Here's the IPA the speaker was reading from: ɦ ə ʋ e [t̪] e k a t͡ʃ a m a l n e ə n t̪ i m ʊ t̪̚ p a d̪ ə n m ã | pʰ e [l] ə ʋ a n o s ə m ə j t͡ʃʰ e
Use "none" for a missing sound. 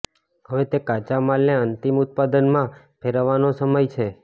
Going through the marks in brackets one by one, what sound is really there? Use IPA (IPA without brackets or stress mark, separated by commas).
t̪, ɾ